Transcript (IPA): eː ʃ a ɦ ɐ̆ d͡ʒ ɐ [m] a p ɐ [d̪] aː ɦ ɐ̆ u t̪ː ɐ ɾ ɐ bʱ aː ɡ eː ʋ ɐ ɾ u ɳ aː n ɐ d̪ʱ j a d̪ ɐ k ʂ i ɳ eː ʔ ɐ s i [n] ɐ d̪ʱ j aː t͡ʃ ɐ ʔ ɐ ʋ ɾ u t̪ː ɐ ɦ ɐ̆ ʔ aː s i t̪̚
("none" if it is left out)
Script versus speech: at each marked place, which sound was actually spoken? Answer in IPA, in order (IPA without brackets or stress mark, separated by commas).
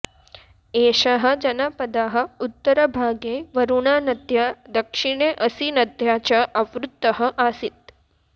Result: n, d̪, n